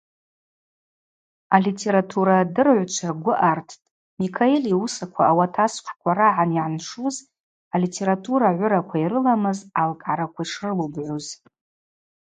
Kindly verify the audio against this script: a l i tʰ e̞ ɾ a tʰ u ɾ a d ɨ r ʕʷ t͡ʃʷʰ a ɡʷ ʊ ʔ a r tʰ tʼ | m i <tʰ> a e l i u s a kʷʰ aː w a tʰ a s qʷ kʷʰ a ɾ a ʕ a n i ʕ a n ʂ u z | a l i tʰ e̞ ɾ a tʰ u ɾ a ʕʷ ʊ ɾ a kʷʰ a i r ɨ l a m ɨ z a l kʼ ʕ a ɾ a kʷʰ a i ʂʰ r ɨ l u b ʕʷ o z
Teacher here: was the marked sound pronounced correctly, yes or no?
no